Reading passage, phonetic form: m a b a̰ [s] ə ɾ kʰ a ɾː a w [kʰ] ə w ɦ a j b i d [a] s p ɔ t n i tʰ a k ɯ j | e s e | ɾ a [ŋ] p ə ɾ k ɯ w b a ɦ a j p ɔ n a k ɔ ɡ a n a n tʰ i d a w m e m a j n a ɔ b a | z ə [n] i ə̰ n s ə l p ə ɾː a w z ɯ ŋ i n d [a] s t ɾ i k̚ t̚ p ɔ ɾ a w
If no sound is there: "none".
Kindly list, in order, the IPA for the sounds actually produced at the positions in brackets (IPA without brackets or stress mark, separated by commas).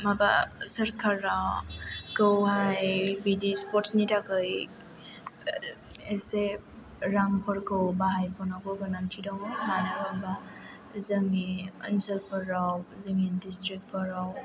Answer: s, k, i, ŋ, ŋ, i